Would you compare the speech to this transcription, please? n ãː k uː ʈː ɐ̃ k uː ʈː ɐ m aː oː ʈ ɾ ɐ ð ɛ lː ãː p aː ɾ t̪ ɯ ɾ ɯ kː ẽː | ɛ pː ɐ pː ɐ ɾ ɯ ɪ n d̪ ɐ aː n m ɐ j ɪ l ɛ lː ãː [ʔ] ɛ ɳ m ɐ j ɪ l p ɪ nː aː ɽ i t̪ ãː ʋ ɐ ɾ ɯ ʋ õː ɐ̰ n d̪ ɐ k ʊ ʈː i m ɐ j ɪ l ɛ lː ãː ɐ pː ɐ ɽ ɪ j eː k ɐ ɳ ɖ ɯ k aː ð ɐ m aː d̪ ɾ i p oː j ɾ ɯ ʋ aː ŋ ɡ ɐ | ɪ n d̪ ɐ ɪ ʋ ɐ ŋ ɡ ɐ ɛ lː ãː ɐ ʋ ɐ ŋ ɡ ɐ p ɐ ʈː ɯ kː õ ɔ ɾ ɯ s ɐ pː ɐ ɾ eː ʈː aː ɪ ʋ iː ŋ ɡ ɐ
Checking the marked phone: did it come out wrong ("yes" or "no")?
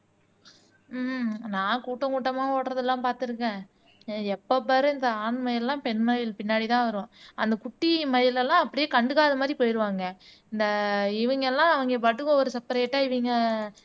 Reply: yes